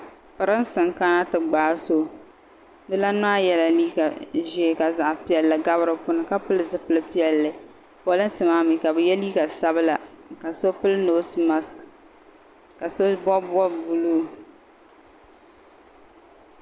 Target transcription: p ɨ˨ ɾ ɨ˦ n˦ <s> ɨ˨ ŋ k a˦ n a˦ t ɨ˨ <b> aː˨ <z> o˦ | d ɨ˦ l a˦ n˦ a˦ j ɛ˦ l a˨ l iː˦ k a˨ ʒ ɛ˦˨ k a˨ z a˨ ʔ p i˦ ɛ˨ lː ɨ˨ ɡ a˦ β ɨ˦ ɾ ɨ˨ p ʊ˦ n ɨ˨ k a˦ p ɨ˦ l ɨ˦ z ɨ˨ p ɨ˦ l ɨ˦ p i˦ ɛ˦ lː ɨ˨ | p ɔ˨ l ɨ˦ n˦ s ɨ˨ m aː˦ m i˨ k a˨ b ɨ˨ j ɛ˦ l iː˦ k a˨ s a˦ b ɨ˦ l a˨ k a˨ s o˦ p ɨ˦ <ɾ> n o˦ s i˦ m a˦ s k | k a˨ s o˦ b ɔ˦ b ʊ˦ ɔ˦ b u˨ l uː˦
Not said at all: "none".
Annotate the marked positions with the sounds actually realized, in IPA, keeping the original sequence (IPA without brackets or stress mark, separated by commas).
s, ɡ͡b, s, l